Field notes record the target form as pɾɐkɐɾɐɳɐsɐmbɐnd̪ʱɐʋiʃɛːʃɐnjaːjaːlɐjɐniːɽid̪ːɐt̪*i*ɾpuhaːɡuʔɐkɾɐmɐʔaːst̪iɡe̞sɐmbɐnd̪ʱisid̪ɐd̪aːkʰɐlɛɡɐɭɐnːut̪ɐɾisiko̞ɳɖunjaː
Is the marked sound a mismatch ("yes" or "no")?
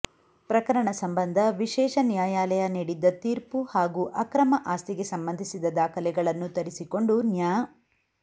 yes